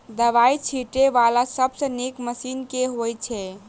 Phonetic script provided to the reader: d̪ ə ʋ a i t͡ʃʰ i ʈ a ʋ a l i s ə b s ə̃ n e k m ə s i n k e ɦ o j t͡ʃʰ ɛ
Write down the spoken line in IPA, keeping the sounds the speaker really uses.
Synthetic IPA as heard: d̪ ə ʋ a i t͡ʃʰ i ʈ e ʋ a l a s ə b s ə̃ n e k m ə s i n k e ɦ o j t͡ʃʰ ɛ